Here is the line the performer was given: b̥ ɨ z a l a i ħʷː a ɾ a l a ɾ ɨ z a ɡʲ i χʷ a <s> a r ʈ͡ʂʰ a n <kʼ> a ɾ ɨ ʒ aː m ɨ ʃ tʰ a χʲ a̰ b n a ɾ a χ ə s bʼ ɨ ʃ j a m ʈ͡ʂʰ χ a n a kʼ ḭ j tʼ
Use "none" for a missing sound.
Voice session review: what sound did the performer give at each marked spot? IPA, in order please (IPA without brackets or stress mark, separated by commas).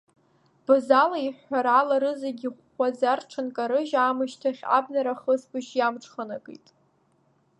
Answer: z, kʼ